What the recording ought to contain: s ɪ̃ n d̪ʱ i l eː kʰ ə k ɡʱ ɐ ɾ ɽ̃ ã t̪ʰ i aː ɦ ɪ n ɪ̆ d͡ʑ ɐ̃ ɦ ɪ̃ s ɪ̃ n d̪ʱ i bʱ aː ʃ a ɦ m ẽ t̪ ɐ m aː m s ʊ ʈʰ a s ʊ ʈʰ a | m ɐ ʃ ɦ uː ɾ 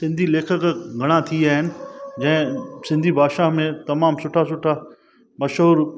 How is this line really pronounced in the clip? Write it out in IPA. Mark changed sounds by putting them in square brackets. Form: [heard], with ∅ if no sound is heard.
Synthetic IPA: s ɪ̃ n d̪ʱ i l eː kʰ ə k ɡʱ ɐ [∅] ɽ̃ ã t̪ʰ i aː ɦ ɪ n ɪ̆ d͡ʑ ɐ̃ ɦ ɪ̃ s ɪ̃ n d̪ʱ i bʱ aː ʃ a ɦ m ẽ t̪ ɐ m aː m s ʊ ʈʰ a s ʊ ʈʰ a | m ɐ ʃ ɦ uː ɾ